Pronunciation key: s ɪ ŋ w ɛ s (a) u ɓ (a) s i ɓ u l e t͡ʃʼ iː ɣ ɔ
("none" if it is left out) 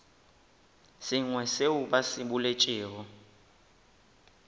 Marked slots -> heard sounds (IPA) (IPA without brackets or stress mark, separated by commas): e, a